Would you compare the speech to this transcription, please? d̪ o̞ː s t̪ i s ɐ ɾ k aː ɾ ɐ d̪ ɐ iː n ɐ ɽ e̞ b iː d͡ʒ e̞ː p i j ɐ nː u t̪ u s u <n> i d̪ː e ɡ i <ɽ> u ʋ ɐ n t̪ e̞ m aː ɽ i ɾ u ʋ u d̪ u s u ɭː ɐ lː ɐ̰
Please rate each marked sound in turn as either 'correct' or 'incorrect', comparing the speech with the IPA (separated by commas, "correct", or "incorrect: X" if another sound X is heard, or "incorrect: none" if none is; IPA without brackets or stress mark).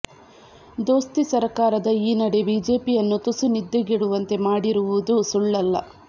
correct, correct